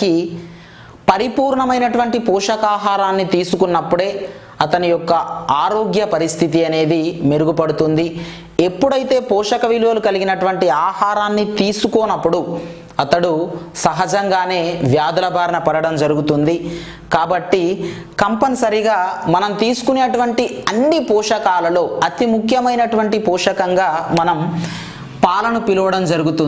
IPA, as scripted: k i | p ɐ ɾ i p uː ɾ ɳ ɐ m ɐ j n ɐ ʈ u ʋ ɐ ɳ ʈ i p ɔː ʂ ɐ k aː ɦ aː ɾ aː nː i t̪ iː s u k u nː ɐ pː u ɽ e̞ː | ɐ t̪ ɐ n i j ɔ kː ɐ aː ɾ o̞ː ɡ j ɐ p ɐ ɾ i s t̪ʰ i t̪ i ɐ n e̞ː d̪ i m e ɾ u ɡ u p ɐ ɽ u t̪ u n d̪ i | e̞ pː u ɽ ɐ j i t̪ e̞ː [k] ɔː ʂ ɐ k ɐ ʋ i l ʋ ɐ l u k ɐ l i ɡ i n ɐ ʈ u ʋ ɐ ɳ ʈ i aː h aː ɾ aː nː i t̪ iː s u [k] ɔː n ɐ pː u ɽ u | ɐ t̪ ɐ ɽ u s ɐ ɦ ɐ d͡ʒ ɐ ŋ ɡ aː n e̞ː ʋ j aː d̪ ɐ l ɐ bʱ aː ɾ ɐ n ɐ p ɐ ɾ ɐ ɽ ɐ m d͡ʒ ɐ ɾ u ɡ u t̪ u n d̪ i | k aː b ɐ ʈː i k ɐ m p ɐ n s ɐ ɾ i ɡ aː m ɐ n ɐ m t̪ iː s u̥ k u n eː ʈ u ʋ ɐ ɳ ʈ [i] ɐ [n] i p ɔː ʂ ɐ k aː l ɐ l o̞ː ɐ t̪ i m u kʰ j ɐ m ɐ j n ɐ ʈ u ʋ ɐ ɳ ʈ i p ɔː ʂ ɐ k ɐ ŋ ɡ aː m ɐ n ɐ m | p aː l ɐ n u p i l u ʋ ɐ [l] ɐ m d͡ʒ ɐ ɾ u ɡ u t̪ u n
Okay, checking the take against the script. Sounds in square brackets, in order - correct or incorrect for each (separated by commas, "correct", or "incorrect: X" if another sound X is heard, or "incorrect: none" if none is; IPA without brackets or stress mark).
incorrect: p, correct, correct, incorrect: nː, incorrect: ɽ